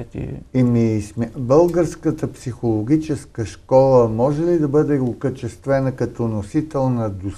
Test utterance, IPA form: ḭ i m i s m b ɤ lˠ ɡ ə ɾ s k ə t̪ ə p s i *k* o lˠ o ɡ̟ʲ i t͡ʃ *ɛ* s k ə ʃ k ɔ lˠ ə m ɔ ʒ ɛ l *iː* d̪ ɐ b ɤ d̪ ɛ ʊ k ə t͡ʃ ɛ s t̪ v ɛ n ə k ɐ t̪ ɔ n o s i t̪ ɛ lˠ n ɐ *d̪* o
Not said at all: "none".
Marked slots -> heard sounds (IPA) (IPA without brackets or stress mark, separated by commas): x, ɛ, i, d̪